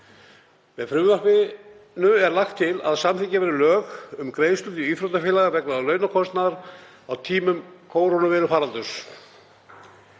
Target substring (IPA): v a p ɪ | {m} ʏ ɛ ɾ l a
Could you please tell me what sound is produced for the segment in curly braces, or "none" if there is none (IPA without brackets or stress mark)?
n